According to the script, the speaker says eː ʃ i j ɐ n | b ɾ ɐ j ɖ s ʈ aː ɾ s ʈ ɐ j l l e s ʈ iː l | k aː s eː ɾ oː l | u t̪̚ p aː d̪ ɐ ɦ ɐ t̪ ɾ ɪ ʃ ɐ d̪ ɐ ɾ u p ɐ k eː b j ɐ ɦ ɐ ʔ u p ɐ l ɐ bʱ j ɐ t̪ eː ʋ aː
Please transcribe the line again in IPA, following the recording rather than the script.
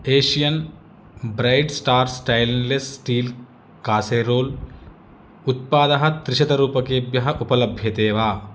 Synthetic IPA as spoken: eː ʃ i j ɐ n | b ɾ ɐ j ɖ s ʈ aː ɾ s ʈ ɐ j l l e s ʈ iː l | k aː s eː ɾ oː l | u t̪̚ p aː d̪ ɐ ɦ ɐ t̪ ɾ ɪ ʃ ɐ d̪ ɐ ɾ uː p ɐ k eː b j ɐ ɦ ɐ ʔ u p ɐ l ɐ bʱ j ɐ t̪ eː ʋ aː